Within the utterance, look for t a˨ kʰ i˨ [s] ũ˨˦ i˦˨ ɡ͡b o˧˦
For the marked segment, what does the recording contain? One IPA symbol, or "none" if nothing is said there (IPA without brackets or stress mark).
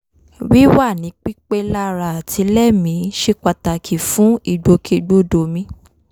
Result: f